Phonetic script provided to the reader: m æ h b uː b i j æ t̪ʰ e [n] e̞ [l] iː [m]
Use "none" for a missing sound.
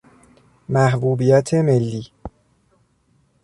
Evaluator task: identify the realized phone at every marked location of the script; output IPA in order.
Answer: m, lː, none

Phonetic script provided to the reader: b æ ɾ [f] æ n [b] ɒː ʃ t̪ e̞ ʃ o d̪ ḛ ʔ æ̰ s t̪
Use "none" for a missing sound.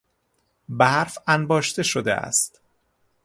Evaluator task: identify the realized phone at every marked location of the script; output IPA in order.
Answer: f, b

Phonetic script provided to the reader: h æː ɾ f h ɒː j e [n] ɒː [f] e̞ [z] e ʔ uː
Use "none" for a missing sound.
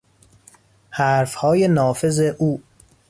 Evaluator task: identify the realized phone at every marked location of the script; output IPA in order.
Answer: n, f, z

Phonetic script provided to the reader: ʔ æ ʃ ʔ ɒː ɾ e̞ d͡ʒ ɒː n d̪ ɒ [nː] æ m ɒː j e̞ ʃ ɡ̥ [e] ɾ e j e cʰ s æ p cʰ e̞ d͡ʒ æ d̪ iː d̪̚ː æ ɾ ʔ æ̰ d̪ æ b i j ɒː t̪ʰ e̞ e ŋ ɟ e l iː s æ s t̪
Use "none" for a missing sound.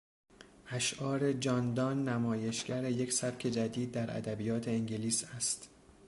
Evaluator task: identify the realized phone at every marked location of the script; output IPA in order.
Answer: nː, æ

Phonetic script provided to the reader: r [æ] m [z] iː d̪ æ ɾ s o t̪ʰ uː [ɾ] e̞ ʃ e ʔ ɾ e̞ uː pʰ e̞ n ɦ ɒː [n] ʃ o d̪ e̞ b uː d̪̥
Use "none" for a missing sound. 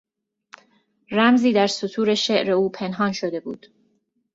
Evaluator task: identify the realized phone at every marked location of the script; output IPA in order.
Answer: æ, z, ɾ, n

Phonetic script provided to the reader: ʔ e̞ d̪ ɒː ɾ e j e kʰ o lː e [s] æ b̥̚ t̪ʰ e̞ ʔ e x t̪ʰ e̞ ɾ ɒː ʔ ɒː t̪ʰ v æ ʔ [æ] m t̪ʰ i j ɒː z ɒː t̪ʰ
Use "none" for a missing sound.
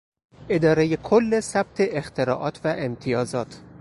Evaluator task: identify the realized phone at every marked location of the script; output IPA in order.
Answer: s, e

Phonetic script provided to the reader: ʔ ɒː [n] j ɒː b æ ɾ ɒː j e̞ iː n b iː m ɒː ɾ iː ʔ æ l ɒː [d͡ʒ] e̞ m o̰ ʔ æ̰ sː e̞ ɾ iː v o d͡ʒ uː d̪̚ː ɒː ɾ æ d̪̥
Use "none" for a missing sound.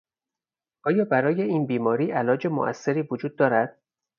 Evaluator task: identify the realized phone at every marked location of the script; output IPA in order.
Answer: none, d͡ʒ

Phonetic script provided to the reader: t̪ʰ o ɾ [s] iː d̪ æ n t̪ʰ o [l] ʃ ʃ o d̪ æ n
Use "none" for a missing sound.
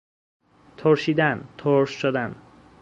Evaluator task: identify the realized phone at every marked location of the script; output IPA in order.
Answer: ʃ, ɾ

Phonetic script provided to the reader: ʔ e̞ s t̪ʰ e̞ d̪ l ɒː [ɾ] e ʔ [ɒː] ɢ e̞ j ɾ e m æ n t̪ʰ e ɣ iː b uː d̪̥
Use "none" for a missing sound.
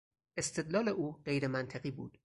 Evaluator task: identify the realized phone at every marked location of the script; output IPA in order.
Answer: l, uː

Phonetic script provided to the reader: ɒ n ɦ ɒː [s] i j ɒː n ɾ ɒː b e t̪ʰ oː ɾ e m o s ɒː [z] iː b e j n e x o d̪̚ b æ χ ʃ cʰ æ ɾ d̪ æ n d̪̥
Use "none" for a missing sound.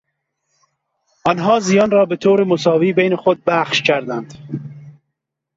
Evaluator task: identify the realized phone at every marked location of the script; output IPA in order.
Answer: z, v

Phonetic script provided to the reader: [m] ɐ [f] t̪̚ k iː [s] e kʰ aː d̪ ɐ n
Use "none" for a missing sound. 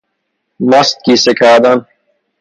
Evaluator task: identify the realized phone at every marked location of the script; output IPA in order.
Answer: m, s, s

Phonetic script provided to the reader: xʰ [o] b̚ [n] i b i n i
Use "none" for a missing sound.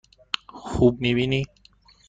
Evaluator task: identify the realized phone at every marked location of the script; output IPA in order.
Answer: u, n

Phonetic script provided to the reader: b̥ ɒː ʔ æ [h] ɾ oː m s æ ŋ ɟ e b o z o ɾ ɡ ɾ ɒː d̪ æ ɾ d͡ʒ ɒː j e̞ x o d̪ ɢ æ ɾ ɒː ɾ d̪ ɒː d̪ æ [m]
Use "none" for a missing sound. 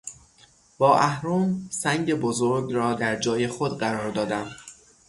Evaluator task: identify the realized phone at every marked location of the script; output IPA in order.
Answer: h, m

